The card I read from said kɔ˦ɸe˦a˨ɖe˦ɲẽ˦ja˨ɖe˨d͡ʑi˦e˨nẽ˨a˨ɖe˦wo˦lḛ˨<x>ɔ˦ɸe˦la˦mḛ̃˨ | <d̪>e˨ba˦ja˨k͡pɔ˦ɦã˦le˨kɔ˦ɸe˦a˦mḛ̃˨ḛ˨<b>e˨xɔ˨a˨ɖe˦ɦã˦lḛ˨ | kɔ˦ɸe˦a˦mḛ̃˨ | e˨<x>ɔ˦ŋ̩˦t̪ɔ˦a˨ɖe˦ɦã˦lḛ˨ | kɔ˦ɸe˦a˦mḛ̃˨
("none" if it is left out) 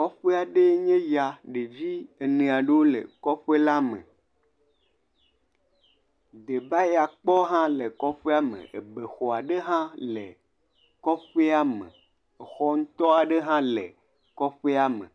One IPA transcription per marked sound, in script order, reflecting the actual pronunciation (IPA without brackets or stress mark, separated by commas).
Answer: k, d̪, b, x